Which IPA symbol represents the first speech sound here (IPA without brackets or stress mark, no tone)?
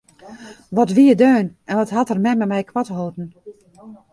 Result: ʋ